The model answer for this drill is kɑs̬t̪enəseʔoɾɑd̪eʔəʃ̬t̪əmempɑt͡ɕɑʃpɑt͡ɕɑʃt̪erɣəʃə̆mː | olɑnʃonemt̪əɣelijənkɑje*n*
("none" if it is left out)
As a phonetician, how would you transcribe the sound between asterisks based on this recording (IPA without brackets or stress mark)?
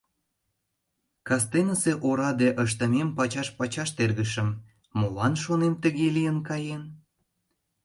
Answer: n